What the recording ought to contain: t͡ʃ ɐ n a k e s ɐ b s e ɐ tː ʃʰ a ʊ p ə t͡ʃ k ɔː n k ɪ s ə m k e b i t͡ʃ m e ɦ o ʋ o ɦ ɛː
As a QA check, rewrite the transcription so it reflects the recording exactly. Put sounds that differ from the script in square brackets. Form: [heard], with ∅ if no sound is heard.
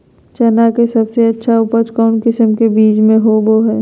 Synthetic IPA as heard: t͡ʃ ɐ n a k e s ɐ b s e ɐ tː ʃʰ a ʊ p ə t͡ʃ k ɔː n k ɪ s ə m k e b [iː] t͡ʃ m [ẽ] ɦ o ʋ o ɦ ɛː